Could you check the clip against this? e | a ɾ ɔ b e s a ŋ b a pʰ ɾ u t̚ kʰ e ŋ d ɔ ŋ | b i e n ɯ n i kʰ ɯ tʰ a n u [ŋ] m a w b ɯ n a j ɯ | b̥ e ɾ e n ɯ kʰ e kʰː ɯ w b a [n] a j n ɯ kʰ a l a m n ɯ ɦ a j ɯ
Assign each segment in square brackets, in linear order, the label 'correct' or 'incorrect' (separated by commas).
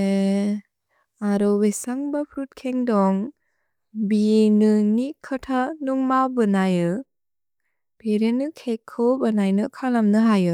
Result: correct, correct